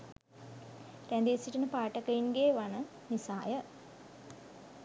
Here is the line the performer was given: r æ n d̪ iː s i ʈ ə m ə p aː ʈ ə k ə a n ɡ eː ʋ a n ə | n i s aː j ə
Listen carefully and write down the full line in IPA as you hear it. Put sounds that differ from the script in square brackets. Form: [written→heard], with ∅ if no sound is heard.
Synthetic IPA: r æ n d̪ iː s i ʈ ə [m→n] ə p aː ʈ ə k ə [a→i] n ɡ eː ʋ a n ə | n i s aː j ə